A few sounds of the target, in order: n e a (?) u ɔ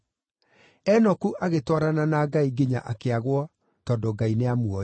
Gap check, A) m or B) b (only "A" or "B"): A